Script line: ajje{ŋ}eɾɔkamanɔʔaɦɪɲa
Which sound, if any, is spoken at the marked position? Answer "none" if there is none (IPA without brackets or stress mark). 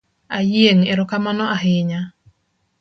ŋ